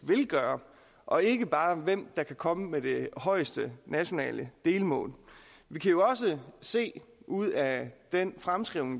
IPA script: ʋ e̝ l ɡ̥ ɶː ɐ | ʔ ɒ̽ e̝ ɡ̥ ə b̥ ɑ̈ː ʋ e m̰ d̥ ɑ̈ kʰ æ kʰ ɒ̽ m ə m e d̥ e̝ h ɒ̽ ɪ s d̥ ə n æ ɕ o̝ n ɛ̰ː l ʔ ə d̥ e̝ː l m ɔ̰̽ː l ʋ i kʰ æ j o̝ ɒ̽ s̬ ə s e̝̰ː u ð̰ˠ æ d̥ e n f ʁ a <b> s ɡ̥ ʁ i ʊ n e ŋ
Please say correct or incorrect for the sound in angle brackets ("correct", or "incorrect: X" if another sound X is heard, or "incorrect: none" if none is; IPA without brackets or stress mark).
incorrect: m